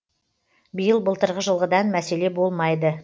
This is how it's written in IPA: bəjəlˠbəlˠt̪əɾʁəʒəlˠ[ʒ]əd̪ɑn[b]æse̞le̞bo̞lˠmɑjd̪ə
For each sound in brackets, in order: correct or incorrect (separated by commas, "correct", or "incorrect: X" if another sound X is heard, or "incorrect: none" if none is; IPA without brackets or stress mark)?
incorrect: ʁ, incorrect: m